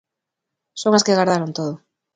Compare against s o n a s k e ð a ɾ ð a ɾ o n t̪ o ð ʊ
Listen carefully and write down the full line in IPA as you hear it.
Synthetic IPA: s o ŋ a s k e ɣ a ɾ ð a ɾ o n t̪ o ð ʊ